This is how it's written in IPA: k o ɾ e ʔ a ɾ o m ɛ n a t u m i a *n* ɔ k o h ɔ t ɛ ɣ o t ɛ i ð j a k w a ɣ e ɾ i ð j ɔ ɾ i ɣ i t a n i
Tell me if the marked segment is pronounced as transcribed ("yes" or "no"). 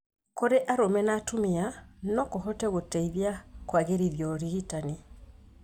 yes